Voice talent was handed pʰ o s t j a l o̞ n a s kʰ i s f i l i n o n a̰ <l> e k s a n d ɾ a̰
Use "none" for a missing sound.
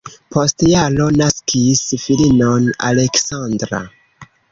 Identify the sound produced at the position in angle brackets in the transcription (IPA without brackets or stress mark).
l